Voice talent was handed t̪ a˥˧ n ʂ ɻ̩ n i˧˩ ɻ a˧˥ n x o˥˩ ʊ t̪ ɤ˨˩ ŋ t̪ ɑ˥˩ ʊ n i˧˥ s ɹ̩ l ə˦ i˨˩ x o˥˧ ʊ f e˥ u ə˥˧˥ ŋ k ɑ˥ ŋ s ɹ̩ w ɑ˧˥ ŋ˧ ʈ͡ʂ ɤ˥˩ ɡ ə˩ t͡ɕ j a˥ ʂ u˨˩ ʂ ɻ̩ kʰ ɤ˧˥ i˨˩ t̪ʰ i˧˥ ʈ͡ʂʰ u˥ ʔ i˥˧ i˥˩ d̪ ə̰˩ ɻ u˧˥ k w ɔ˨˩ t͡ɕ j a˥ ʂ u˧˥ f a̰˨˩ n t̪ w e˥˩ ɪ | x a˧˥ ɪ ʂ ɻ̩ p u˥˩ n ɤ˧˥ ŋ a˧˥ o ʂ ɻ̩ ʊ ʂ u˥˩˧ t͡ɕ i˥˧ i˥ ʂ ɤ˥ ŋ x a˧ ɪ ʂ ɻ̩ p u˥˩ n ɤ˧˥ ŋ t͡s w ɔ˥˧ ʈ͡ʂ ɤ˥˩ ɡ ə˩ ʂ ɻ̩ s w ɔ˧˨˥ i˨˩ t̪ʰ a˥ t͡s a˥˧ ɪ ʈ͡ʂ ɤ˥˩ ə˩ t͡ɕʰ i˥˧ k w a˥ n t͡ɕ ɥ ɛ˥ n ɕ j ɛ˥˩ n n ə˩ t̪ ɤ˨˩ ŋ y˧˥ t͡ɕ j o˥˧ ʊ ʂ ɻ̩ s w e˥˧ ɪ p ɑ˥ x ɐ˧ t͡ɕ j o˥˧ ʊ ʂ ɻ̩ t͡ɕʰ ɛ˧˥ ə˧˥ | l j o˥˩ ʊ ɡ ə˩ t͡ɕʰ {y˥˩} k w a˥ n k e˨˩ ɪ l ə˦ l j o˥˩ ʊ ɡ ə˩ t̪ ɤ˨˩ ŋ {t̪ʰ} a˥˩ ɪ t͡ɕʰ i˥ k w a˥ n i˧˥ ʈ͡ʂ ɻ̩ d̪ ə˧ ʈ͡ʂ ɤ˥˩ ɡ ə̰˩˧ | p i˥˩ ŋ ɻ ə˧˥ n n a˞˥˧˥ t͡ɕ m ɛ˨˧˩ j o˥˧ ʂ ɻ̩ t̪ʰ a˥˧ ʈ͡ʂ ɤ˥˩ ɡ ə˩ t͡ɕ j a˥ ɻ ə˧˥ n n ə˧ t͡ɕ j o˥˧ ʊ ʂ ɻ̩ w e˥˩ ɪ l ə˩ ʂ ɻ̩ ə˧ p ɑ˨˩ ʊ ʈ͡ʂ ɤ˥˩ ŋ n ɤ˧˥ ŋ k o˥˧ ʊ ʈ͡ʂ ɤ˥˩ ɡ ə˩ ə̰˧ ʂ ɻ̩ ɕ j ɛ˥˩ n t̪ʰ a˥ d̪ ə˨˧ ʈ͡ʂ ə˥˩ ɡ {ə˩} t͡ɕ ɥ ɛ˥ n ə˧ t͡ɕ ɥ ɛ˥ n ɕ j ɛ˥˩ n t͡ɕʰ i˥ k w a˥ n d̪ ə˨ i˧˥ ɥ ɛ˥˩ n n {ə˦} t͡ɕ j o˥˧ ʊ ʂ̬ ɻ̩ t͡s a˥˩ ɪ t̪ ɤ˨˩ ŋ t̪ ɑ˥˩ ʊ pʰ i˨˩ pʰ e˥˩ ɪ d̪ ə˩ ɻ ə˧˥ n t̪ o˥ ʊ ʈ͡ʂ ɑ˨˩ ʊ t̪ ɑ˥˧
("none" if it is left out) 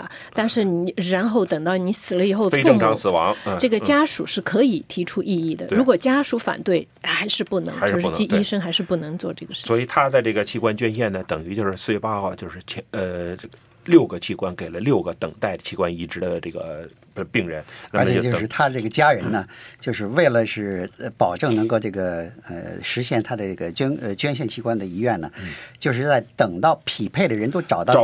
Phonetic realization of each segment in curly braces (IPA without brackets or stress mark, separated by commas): i˥˩, t̪, ə˩, ə˩